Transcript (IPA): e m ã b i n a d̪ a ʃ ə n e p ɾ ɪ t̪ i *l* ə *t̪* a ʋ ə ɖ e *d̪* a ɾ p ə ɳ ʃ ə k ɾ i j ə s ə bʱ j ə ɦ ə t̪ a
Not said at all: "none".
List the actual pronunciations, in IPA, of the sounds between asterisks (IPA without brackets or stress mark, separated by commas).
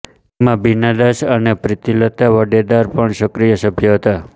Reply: l, t̪, d̪